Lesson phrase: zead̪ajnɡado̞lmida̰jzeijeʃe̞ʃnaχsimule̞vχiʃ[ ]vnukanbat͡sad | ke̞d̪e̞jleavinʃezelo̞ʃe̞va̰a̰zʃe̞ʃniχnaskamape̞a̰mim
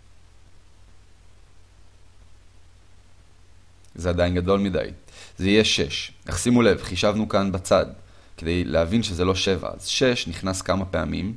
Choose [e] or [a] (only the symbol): a